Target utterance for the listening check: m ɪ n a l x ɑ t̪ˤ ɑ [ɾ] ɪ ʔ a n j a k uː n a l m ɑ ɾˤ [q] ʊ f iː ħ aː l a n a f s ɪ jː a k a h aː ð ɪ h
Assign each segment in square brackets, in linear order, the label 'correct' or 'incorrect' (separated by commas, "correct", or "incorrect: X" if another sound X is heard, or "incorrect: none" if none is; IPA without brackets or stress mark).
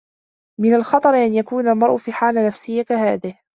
correct, incorrect: ʔ